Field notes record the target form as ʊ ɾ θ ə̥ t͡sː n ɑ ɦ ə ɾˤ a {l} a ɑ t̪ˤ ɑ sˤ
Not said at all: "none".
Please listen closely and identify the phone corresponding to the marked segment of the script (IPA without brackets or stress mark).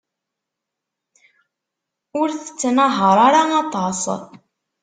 ɾ